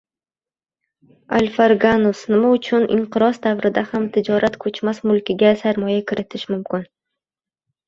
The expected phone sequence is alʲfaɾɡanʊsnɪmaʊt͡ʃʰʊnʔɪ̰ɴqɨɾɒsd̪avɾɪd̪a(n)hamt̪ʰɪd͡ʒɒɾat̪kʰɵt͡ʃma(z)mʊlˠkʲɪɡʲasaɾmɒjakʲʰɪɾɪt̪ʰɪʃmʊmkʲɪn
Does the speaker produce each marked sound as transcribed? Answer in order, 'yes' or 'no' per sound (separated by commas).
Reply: no, no